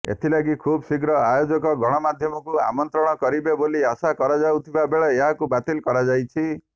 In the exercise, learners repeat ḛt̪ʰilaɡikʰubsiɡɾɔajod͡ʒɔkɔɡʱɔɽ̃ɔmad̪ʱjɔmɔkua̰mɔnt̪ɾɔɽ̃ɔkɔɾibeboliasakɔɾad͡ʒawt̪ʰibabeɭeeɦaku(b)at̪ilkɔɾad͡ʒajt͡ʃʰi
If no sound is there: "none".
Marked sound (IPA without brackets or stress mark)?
b